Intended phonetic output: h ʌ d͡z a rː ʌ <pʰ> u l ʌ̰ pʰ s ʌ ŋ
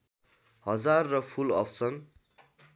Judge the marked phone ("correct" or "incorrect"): correct